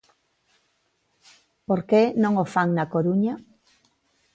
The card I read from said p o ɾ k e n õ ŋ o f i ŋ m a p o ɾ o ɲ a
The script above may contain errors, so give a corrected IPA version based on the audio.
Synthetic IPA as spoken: p o ɾ k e n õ ŋ o f a ŋ n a k o ɾ u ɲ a

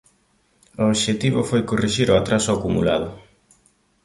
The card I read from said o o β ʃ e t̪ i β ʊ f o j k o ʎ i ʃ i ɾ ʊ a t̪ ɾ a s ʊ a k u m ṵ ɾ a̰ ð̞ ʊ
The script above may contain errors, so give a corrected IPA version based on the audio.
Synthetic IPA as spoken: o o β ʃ e t̪ i β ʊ f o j k o r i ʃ i ɾ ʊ a t̪ ɾ a s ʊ a k u m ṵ l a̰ ð̞ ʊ

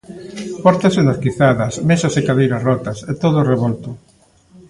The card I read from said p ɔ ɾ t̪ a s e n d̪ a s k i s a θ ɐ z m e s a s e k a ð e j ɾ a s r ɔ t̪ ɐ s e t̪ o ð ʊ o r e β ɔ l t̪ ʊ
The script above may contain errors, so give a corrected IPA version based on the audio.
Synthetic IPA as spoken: p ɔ ɾ t̪ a s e n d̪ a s k i θ a ð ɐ s m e s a s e k a ð e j ɾ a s r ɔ t̪ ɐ s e t̪ o ð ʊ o r e β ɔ l t̪ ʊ

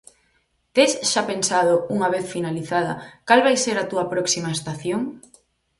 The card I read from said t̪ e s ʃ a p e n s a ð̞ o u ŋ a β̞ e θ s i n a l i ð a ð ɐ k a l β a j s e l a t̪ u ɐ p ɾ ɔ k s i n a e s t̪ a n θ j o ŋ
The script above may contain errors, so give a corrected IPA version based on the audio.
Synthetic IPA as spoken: t̪ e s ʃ a p e n s a ð̞ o u ŋ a β̞ e θ f i n a l i θ a ð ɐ k a l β a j s e ɾ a t̪ u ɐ p ɾ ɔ k s i m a e s t̪ a θ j o ŋ

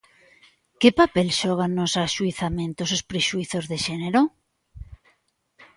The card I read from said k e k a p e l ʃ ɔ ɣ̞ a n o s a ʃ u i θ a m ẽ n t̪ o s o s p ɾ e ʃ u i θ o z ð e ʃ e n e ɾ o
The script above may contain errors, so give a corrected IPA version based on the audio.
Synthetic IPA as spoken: k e p a p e l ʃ ɔ ɣ̞ a n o s a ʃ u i θ a m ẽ n t̪ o s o s p ɾ e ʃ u i θ o z ð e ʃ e n e ɾ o

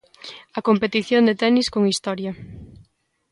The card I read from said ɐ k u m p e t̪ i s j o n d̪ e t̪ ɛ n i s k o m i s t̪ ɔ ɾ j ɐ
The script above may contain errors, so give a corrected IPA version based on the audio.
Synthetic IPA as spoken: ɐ k o m p e t̪ i θ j o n d̪ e t̪ ɛ n i s k o ŋ i s t̪ ɔ ɾ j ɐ

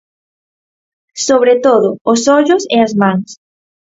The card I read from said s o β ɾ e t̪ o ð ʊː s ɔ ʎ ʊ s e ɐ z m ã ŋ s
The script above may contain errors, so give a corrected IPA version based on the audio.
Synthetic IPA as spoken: s o β ɾ e t̪ o ð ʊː s ɔ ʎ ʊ s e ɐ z m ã ŋ s

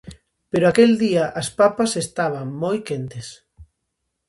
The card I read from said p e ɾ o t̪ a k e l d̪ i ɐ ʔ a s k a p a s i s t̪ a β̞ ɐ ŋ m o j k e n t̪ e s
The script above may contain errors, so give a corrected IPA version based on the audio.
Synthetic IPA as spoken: p e ɾ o a k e l d̪ i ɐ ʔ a s p a p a s e s t̪ a β̞ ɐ ŋ m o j k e n t̪ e s

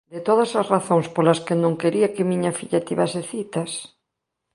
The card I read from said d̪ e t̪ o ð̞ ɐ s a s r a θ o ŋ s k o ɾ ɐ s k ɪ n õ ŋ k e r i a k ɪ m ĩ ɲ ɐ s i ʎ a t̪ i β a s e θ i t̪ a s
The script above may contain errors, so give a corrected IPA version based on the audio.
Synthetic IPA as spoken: d̪ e t̪ o ð̞ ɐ s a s r a θ o ŋ s p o l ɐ s k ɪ n õ ŋ k e ɾ i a k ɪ m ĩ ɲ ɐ f i ʎ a t̪ i β a s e θ i t̪ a s

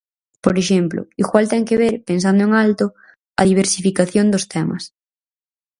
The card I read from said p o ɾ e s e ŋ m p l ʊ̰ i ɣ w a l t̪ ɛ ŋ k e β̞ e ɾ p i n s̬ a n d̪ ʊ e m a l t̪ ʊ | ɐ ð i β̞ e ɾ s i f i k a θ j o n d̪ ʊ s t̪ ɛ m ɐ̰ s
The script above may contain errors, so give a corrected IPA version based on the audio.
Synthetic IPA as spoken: p o ɾ e ʃ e m p l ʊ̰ i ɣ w a l t̪ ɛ ŋ k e β̞ e ɾ p e n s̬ a n d̪ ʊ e ŋ a l t̪ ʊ | ɐ ð i β̞ e ɾ s i f i k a θ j o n d̪ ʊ s t̪ ɛ m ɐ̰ s

